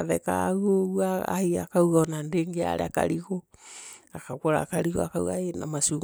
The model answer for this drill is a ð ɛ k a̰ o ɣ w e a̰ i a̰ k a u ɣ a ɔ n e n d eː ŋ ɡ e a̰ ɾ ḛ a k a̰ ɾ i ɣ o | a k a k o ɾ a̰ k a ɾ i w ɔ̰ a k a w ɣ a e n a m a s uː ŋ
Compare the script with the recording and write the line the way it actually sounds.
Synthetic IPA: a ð ɛ k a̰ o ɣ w a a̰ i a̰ k a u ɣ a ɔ n a n d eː ŋ ɡ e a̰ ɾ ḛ a k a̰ ɾ i ɣ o | a k a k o ɾ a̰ k a ɾ i ɣ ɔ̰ a k a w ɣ a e n a m a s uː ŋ